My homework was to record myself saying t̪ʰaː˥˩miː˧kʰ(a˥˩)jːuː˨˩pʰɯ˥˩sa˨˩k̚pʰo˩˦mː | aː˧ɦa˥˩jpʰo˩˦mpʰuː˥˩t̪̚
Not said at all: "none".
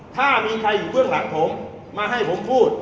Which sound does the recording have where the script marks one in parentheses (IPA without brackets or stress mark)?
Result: a˧